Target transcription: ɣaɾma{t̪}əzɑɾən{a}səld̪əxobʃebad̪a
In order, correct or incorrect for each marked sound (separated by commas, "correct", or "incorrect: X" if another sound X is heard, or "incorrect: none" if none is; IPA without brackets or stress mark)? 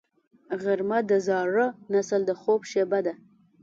incorrect: d̪, correct